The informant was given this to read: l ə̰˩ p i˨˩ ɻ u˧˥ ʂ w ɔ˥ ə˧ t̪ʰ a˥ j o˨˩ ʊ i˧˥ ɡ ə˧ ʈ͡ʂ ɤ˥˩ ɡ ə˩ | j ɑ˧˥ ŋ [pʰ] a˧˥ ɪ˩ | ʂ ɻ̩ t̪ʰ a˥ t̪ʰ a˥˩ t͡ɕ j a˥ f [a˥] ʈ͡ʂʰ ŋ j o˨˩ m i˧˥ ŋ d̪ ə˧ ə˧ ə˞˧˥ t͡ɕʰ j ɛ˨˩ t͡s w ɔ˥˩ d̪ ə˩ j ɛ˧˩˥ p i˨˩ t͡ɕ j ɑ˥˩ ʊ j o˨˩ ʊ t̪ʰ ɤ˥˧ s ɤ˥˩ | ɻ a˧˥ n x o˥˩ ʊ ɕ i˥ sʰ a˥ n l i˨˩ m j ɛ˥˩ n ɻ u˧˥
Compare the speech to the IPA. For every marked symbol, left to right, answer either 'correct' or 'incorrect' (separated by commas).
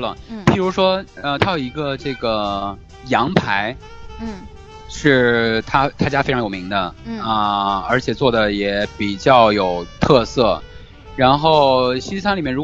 correct, incorrect